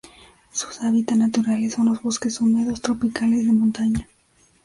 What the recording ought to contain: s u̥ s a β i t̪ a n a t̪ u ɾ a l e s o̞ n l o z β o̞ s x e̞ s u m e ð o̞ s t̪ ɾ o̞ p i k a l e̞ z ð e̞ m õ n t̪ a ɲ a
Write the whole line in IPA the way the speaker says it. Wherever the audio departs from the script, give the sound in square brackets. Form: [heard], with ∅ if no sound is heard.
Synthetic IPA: s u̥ s a β i t̪ a n a t̪ u ɾ a l e s o̞ n l o z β o̞ s [k] e̞ s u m e ð o̞ s t̪ ɾ o̞ p i k a l e̞ z ð e̞ m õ n t̪ a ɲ a